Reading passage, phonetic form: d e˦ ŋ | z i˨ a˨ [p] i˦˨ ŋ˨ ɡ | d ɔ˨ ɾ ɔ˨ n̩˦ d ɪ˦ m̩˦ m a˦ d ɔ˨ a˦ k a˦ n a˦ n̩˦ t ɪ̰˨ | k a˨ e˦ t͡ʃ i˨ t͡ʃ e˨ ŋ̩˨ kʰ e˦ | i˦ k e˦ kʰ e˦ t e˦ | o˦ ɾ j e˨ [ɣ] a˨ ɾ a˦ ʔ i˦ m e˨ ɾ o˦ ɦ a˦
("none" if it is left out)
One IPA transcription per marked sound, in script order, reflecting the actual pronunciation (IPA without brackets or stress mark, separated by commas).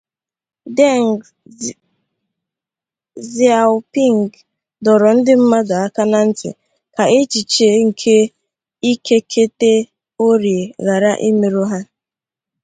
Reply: p, ɣ